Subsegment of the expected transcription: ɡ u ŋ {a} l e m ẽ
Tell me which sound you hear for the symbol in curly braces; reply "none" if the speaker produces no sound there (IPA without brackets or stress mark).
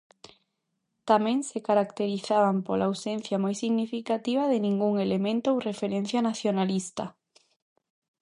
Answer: e